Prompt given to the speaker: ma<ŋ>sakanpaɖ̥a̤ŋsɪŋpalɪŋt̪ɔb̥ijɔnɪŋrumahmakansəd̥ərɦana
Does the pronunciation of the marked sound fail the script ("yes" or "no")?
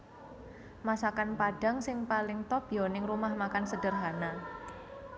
yes